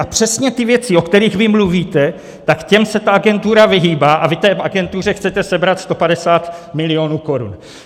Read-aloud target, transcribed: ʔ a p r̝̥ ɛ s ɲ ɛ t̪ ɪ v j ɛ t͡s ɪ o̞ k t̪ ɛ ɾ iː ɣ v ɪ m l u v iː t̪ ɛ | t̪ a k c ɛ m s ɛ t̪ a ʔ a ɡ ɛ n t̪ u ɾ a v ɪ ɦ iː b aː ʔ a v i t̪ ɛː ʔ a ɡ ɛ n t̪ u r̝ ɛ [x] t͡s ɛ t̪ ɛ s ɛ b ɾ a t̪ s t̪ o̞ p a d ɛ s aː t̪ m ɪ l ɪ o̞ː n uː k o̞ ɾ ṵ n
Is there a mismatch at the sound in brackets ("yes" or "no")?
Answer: no